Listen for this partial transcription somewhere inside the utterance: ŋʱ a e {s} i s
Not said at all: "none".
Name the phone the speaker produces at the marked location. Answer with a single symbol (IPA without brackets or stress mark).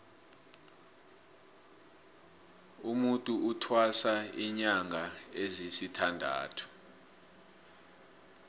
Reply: z